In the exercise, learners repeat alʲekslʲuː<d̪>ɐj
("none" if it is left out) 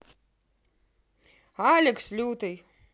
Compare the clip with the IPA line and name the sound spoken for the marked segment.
t̪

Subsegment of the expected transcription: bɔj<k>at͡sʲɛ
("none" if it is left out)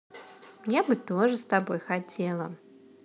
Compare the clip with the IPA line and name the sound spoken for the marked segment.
x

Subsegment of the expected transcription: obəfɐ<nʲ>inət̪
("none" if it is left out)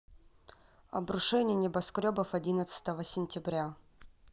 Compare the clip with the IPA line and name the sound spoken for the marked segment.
dʲ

